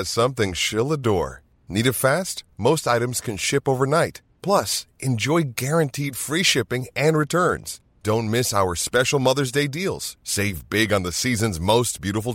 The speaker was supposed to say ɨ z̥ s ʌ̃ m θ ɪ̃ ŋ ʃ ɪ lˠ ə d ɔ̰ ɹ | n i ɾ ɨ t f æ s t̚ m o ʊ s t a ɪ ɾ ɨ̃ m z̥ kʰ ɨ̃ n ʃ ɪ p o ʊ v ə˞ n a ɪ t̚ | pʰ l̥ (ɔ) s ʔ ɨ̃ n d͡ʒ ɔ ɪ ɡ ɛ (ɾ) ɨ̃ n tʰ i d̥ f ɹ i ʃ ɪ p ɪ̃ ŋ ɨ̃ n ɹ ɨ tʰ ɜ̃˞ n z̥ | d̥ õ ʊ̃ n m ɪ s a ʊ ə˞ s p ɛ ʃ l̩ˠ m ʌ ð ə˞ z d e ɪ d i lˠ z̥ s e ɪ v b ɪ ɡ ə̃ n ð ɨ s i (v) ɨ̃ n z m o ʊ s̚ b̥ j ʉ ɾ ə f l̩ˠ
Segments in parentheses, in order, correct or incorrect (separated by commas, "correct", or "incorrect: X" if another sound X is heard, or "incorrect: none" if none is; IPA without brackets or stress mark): incorrect: ʌ, incorrect: ɹ, incorrect: z